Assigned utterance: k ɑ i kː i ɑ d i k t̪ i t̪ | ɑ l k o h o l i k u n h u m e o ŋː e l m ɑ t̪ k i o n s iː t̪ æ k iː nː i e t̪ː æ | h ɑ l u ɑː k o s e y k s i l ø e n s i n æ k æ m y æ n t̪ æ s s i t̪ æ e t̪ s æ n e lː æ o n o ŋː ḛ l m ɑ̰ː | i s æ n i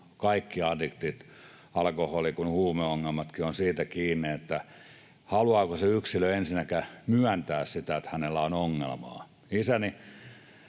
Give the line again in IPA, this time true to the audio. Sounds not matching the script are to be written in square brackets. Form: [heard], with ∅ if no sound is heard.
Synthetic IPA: k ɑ i kː i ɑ d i k t̪ i t̪ | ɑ l k o h o l i k u n h [uː] m e o ŋː e l m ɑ t̪ k i o n s iː t̪ æ k iː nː i e t̪ː æ | h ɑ l u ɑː k o s e y k s i l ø e n s i n æ k æ m y æ n t̪ [æː] s s i t̪ æ e t̪ [h] æ n e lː æ o n o ŋː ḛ l m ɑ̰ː | i s æ n i